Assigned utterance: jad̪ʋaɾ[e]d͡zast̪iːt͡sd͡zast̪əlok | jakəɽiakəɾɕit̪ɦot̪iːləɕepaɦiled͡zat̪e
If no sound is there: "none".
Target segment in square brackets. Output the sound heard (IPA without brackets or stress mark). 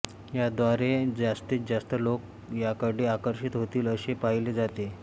e